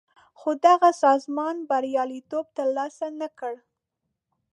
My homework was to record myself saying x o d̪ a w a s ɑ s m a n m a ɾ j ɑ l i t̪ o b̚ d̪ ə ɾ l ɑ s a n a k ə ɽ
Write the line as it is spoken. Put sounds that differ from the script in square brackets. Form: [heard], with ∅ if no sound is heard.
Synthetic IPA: x o d̪ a [ɣ] a s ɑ [z] m [ɑ] n [b] a ɾ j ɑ l i t̪ o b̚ [t̪] ə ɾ l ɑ s a n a k ə ɽ